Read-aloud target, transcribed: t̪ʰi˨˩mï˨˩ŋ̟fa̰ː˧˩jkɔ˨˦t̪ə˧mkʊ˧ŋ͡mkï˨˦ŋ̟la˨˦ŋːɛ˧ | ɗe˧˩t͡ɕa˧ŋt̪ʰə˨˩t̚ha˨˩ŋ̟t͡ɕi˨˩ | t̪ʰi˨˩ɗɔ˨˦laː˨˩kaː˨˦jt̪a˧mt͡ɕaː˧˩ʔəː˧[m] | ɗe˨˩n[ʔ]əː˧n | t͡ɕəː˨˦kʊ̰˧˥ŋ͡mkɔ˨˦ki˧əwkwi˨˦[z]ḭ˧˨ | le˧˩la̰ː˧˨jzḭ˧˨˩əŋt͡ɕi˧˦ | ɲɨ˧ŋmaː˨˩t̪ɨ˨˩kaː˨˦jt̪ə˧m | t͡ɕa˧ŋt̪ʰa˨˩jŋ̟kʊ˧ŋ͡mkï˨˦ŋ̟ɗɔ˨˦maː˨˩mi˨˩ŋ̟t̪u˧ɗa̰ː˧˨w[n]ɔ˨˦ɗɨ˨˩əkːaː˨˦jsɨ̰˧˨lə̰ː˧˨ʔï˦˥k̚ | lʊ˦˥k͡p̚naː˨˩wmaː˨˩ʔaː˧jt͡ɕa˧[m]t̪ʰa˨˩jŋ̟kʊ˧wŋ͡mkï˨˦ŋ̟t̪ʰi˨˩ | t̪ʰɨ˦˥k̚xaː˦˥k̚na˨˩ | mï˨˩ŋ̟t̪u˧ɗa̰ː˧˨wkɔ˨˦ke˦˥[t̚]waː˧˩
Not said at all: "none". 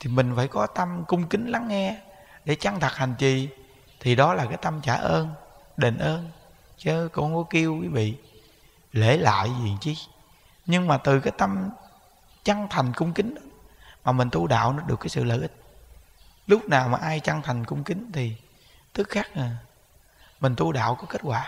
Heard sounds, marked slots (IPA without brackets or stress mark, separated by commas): n, ʔ, v, n, ŋ, t̚